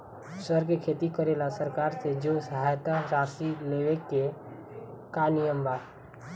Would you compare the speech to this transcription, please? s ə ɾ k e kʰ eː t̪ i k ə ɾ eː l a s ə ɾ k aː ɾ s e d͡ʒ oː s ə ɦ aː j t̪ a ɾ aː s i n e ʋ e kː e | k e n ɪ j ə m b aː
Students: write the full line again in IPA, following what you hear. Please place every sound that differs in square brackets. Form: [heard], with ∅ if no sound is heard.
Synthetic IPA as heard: s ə ɾ k e kʰ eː t̪ i k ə ɾ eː l a s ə ɾ k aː ɾ s e d͡ʒ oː s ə ɦ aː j t̪ a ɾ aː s i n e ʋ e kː e | k [a] n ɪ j ə m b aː